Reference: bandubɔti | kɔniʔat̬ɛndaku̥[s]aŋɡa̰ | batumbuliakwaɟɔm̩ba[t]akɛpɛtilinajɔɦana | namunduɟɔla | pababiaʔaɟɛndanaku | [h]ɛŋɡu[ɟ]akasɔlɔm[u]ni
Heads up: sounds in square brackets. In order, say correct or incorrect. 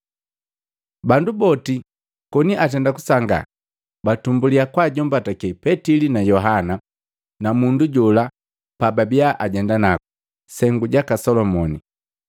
correct, correct, incorrect, correct, incorrect

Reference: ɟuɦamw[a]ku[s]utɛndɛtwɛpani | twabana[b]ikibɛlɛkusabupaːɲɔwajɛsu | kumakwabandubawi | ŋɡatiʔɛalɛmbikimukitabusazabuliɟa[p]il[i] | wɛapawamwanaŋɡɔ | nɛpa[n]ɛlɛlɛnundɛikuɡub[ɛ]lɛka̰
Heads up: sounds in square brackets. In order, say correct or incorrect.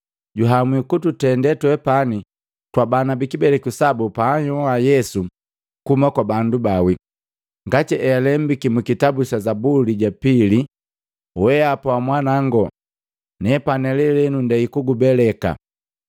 incorrect, incorrect, correct, correct, correct, correct, correct

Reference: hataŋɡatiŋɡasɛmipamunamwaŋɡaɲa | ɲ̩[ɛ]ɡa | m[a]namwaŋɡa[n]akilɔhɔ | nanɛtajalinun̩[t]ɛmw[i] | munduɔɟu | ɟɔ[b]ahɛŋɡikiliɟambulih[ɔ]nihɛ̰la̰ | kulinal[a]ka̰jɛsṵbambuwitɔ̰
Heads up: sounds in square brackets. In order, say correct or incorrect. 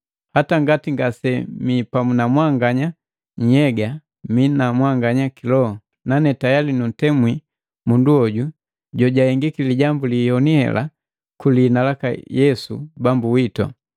correct, incorrect, incorrect, correct, correct, incorrect, correct, correct

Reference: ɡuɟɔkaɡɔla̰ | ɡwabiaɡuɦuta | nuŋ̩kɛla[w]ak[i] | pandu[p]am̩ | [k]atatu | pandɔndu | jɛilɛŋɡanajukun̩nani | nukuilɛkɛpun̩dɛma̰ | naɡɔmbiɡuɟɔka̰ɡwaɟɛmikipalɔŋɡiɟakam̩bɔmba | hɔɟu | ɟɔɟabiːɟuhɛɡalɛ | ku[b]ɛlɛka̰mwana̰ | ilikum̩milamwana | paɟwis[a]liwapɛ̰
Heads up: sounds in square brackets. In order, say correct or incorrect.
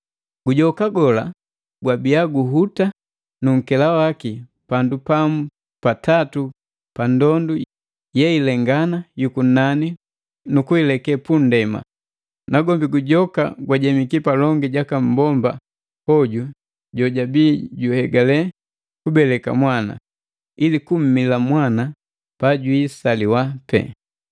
correct, correct, correct, incorrect, correct, correct

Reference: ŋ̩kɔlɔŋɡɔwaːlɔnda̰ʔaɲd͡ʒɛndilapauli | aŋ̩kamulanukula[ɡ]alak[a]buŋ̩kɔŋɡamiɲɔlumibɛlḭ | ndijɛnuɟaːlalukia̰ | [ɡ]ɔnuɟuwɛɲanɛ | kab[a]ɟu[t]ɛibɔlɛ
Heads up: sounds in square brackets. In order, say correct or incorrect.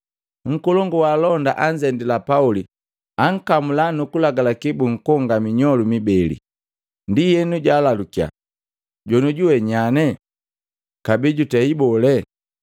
correct, incorrect, incorrect, incorrect, correct

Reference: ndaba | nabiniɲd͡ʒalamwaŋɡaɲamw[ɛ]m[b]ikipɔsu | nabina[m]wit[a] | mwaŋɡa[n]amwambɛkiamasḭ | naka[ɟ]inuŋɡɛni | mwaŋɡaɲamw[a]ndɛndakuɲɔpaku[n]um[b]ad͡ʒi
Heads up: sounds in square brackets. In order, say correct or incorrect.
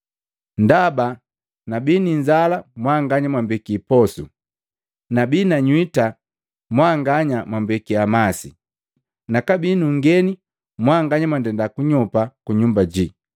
incorrect, correct, incorrect, correct, incorrect, incorrect, correct, incorrect, correct

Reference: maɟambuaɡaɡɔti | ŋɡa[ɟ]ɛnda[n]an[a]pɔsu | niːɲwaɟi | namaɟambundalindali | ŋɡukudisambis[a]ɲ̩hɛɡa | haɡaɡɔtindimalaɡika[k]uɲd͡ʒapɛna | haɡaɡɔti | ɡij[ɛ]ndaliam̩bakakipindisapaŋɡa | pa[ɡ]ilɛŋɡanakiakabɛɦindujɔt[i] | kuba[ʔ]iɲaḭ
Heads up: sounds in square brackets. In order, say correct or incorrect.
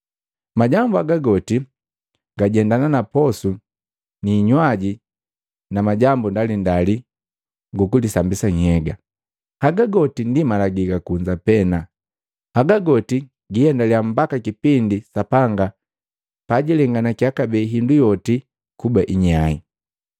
correct, correct, correct, correct, correct, correct, incorrect, correct, correct

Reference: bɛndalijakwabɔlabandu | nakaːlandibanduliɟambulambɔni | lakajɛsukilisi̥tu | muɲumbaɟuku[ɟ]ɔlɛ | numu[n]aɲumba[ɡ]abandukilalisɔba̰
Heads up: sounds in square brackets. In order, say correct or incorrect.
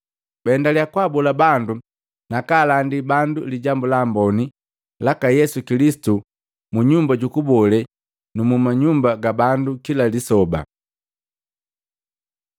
incorrect, incorrect, correct

